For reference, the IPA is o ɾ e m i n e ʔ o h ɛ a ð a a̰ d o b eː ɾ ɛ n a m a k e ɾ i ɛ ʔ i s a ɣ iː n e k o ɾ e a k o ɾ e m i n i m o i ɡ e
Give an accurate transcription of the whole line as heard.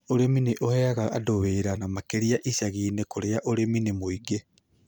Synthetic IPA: o ɾ e m i n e ʔ o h ɛ a ɣ a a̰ d o β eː ɾ a n a m a k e ɾ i a ʔ i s a ɣ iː n e k o ɾ e a ʔ o ɾ e m i n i m o i ɡ e